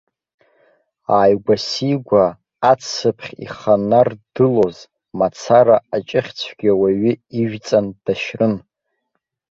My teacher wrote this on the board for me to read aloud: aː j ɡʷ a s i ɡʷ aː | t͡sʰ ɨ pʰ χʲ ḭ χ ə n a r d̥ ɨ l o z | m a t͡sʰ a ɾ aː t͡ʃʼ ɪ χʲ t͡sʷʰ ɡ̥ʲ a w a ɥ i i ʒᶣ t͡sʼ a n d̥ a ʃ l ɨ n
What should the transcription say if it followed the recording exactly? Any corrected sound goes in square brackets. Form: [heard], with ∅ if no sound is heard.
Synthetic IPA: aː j ɡʷ a s i ɡʷ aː | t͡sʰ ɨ pʰ χʲ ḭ χ [a] n a r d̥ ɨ l o z | m a t͡sʰ a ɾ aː t͡ʃʼ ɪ χʲ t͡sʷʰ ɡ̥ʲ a w a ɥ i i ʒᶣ t͡sʼ a n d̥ a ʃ [r] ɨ n